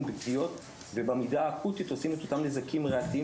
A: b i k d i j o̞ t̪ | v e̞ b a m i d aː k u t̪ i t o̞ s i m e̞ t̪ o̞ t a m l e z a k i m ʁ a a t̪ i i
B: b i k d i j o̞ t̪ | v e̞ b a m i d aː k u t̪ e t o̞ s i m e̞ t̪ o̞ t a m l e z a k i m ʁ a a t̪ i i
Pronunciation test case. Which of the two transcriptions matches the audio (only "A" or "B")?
A